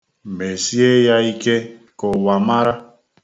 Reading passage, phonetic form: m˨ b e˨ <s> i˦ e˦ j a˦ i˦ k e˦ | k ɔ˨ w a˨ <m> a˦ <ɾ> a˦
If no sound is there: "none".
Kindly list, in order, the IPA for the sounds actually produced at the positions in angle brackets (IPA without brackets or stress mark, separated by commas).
s, m, ɾ